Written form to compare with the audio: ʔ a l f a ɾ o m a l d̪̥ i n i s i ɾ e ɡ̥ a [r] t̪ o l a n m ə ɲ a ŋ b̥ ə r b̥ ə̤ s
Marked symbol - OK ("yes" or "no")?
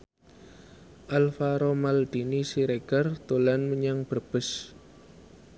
yes